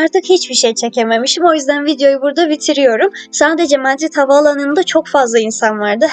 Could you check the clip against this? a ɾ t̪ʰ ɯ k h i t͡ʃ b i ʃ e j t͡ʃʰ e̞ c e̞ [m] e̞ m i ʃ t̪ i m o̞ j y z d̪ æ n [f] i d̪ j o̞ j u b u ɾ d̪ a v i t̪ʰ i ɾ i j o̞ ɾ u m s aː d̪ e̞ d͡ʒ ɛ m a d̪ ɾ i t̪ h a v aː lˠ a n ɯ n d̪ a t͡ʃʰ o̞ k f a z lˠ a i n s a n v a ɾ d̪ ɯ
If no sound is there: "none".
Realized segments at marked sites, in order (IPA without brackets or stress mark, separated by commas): m, v